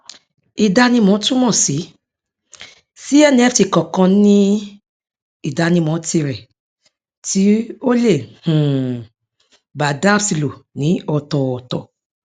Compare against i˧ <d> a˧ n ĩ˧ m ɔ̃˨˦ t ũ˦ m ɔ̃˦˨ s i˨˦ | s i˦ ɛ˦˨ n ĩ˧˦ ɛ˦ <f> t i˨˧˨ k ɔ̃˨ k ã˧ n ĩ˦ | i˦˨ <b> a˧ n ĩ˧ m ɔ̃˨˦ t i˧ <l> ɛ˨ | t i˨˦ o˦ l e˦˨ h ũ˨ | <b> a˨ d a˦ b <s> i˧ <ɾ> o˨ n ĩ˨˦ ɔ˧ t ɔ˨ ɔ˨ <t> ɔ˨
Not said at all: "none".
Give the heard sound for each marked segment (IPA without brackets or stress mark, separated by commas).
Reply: d, f, d, ɾ, b, s, l, t